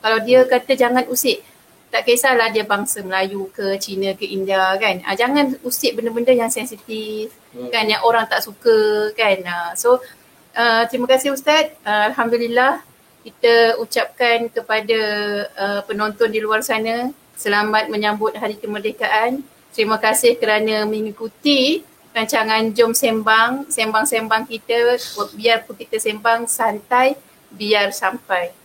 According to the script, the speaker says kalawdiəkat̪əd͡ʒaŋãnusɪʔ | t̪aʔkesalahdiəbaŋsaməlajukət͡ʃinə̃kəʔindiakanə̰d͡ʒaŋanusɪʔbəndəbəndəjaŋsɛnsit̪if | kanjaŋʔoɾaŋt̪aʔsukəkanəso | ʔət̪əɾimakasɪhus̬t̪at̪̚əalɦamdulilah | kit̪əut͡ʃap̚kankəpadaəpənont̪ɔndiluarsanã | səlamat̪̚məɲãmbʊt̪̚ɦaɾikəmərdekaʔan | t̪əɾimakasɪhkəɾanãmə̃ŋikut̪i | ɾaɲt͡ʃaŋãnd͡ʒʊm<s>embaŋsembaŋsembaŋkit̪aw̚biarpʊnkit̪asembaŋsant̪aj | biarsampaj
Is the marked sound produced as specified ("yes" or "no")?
yes